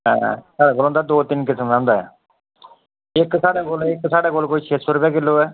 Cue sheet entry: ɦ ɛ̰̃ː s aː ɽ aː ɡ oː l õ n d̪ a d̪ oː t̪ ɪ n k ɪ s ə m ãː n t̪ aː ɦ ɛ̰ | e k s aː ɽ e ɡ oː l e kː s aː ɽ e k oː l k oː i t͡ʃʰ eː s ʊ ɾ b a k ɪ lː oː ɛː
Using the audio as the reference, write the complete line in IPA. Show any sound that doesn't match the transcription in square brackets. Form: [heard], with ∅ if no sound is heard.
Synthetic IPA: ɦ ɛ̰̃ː s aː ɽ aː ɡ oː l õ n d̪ a d̪ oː t̪ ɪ n k ɪ s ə m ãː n [d̪] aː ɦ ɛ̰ | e k s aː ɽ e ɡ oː l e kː s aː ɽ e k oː l k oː i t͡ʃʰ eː s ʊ ɾ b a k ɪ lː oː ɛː